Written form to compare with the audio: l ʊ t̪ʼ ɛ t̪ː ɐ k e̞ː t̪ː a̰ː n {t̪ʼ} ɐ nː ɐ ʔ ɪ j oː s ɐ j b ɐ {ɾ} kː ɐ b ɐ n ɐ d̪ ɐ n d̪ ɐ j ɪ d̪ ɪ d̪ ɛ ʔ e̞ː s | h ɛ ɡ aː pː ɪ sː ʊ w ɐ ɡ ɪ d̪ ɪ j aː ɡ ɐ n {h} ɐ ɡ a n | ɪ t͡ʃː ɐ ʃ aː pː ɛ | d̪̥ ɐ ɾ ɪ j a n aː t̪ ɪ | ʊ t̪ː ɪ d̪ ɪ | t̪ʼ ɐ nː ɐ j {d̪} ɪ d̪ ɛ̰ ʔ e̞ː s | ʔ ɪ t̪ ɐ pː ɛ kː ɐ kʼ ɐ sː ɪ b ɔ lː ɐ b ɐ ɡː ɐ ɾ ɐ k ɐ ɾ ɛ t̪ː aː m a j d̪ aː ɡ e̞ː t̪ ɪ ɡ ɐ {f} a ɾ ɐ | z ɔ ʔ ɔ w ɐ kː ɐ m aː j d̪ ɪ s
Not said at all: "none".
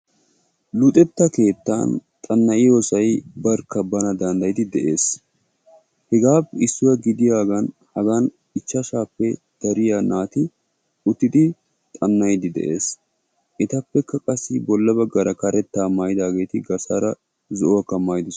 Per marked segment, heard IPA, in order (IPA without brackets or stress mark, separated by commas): t̪ʼ, ɾ, h, d̪, s